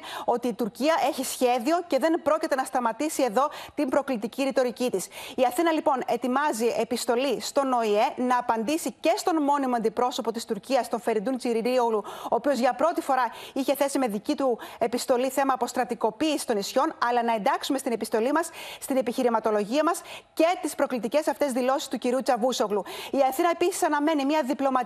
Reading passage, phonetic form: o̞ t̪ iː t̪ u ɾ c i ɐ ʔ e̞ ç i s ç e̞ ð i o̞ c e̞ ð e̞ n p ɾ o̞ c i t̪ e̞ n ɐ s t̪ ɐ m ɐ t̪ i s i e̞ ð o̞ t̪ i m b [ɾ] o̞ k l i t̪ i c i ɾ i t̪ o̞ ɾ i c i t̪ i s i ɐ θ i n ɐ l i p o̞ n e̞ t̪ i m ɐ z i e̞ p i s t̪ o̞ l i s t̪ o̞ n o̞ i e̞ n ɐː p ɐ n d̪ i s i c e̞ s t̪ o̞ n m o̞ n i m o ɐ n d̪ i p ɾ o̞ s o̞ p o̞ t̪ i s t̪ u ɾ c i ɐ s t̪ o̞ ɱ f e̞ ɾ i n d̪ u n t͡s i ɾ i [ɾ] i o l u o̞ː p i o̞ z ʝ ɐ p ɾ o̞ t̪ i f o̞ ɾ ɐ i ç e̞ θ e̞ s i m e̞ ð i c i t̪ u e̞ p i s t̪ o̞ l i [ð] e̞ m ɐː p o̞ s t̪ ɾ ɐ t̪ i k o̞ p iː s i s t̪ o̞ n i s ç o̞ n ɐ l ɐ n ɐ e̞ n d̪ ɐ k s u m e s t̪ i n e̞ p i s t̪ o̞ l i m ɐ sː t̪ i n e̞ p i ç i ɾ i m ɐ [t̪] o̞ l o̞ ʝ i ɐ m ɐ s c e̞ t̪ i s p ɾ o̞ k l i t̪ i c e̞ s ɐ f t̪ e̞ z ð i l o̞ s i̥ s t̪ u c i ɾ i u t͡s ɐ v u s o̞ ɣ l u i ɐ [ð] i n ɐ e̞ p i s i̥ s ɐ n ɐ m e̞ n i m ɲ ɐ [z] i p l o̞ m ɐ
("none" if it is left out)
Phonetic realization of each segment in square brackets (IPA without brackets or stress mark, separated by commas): ɾ, ɾ, θ, t̪, θ, ð